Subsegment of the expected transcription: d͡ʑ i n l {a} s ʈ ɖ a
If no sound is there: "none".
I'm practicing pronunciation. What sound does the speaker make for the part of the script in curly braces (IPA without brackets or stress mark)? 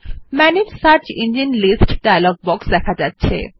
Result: i